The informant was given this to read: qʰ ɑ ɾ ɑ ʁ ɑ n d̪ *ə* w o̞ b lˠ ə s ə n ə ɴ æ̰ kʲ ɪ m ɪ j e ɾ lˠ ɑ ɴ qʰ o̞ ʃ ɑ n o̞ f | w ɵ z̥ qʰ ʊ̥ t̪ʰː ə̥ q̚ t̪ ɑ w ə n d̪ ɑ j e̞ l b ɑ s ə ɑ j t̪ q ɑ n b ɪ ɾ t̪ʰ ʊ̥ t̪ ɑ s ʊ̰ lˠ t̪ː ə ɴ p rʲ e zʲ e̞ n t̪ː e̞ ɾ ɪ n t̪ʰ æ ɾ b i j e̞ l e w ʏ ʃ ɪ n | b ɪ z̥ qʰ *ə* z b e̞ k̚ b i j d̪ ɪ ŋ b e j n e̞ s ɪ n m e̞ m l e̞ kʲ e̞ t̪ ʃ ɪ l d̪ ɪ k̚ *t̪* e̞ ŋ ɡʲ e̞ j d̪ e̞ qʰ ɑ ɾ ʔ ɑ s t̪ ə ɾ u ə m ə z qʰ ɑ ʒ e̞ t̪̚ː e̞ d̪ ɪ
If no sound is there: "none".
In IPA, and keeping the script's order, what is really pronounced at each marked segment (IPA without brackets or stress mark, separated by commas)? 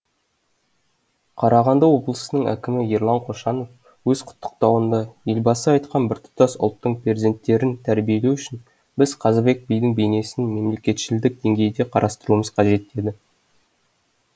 ɑ, ɑ, d̪